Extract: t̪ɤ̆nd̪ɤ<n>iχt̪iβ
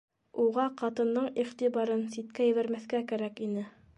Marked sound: incorrect: ɴ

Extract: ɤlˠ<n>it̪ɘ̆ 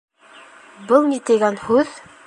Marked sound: correct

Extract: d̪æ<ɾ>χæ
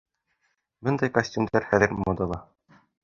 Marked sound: correct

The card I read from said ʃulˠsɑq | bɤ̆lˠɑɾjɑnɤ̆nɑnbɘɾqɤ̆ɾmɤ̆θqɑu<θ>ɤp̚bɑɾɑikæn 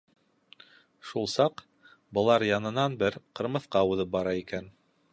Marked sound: incorrect: ð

